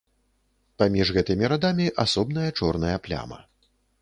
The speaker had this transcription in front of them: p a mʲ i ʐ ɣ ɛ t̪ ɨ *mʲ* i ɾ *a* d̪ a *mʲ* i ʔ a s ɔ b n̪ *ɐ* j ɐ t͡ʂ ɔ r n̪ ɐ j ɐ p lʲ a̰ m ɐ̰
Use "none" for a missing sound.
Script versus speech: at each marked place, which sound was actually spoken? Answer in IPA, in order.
mʲ, a, mʲ, ɐ

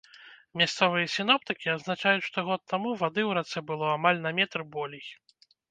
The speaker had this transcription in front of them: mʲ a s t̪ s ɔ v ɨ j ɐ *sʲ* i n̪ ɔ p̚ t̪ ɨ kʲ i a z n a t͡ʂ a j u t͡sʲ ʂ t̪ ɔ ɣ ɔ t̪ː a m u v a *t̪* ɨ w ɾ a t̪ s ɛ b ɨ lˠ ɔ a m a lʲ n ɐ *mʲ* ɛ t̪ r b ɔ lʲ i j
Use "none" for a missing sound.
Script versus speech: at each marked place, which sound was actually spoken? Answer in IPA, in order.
sʲ, d̪, mʲ

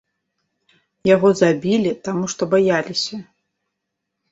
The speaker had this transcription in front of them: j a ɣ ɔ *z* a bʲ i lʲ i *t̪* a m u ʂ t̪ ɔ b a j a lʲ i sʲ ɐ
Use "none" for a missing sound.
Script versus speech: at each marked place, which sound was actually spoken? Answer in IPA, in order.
z, t̪

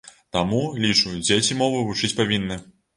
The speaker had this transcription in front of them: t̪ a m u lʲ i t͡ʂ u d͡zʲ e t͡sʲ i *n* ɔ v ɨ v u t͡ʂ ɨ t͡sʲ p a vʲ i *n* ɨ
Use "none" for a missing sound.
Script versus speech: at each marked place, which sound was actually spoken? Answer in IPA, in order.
m, nː

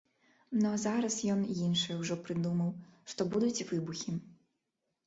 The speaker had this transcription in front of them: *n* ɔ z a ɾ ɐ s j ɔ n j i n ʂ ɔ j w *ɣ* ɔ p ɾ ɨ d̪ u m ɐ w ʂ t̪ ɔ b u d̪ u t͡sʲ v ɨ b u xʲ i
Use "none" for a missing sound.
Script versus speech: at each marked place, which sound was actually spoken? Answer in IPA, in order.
n, ʐ

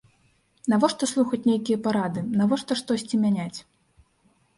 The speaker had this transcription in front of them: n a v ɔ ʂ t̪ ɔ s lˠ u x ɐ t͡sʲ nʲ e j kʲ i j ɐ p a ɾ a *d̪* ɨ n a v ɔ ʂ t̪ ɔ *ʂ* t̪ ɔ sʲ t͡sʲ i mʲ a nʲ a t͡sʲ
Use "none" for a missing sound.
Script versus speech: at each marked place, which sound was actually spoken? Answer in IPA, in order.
d̪, ʂ

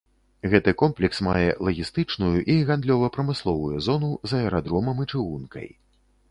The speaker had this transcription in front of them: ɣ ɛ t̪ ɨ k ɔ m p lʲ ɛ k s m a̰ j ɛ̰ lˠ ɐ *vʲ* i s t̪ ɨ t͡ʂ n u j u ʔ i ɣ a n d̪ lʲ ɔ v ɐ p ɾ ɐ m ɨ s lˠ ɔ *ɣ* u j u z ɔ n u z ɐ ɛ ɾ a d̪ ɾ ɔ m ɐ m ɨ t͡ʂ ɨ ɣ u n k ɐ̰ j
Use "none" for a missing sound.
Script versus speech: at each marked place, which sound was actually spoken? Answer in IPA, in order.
ɣʲ, v

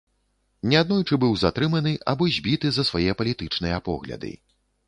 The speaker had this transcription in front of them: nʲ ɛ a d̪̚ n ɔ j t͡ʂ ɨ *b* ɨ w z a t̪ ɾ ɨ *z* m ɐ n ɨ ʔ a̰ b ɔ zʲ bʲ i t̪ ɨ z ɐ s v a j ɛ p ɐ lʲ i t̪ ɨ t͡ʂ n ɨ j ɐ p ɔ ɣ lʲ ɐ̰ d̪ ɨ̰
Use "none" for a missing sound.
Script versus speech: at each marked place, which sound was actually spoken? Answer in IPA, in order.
b, none

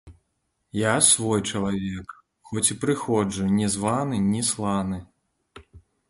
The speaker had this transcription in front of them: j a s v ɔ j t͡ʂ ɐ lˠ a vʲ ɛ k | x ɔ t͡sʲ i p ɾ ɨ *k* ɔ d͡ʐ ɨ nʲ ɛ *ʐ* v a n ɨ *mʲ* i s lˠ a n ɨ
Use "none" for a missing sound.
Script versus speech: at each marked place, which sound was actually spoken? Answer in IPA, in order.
x, z, nʲ

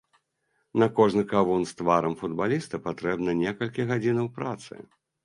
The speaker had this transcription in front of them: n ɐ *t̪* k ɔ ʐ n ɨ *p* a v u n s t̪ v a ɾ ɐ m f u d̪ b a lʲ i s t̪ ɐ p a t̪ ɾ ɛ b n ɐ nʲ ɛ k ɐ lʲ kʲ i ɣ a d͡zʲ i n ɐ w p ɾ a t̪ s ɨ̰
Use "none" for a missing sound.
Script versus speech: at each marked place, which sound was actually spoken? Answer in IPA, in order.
none, k

